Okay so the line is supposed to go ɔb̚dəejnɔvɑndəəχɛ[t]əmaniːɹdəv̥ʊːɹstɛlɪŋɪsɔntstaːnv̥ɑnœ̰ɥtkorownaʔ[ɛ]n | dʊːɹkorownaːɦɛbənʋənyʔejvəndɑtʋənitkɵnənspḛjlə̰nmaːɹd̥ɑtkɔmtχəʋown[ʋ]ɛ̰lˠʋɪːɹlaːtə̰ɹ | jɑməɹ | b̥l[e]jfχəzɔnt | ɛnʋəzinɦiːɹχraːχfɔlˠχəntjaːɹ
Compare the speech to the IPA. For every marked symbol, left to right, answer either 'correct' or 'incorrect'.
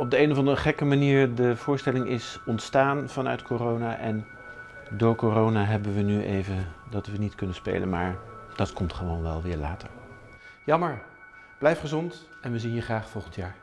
incorrect, correct, correct, incorrect

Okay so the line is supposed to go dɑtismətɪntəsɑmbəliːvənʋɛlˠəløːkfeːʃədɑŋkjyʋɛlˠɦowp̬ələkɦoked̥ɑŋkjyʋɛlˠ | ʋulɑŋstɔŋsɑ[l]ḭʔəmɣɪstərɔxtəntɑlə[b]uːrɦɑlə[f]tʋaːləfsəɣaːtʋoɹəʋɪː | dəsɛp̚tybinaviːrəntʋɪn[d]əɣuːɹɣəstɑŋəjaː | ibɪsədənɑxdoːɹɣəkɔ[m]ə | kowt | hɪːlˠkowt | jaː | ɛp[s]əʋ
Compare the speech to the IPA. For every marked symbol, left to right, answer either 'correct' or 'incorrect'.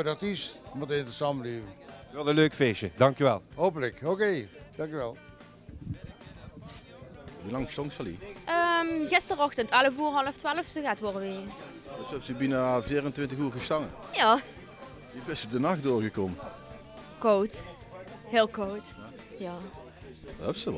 correct, incorrect, correct, incorrect, correct, correct

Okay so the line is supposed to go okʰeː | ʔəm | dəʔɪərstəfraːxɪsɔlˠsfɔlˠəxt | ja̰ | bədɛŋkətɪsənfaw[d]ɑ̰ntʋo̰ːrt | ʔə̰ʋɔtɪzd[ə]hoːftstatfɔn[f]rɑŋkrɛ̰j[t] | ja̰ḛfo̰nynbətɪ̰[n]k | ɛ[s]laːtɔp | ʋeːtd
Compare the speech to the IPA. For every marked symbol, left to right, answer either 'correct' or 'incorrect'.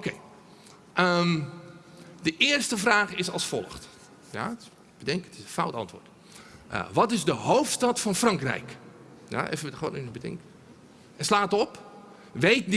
incorrect, correct, correct, incorrect, incorrect, correct

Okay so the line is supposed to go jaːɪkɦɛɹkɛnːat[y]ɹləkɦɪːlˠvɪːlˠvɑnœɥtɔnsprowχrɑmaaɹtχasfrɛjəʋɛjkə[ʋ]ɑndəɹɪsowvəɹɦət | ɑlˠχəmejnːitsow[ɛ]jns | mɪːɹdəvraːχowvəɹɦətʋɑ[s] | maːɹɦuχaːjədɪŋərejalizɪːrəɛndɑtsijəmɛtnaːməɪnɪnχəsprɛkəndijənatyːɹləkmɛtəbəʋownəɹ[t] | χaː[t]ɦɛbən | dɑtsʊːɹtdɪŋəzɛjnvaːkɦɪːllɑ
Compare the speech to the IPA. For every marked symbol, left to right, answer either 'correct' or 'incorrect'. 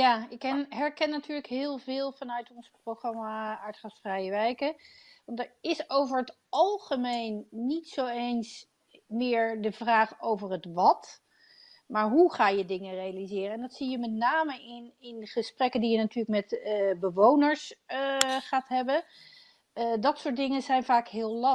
incorrect, correct, incorrect, incorrect, incorrect, correct

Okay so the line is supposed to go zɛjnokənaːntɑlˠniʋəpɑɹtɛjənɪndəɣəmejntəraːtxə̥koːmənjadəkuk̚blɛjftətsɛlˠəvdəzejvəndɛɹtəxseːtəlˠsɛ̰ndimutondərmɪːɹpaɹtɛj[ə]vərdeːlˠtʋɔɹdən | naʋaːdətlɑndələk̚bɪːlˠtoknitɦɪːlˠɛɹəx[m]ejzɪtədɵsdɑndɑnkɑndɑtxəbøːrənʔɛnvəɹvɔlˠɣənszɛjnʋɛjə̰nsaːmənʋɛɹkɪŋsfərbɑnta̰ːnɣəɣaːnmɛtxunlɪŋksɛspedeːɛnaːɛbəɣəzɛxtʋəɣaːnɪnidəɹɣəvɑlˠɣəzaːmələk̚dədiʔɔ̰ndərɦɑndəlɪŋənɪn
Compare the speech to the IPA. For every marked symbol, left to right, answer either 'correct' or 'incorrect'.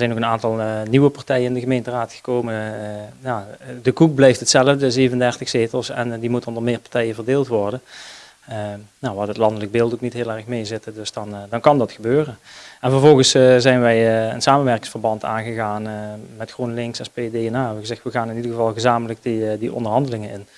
correct, correct

